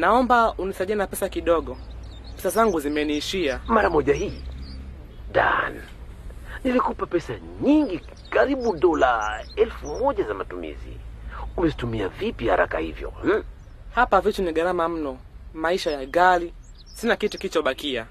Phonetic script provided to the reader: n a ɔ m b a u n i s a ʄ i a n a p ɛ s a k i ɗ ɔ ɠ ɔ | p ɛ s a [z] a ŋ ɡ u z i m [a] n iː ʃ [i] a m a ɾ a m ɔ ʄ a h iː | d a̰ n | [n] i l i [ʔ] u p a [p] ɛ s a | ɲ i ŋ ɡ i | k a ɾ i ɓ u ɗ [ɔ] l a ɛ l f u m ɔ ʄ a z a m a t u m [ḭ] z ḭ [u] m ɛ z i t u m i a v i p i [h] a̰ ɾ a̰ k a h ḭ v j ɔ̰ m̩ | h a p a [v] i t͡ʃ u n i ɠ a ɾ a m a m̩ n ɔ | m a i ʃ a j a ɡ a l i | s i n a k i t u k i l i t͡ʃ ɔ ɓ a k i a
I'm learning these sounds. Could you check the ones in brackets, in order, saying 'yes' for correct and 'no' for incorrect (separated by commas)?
yes, no, yes, yes, no, yes, yes, yes, yes, yes, yes